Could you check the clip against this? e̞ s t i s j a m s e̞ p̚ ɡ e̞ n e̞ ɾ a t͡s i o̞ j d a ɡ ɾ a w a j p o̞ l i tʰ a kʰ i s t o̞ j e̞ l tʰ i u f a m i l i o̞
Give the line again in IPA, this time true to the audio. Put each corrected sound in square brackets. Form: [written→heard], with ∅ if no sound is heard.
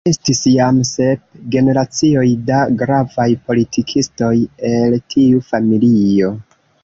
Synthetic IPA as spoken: e̞ s t i s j a m s e̞ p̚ ɡ e̞ n e̞ ɾ a t͡s i o̞ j d a ɡ ɾ a [w→v] a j p o̞ l i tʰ [a→i] kʰ i s t o̞ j e̞ l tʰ i u f a m i l i o̞